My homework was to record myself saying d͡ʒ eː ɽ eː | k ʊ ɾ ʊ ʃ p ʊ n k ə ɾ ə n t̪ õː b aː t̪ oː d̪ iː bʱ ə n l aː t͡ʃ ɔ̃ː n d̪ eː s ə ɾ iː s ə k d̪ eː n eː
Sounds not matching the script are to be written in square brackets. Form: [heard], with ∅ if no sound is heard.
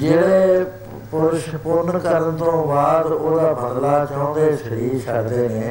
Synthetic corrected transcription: d͡ʒ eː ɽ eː | [p] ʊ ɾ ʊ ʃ p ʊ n k ə ɾ ə n t̪ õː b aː [d̪] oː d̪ [aː] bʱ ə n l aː t͡ʃ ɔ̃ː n d̪ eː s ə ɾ iː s ə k d̪ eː n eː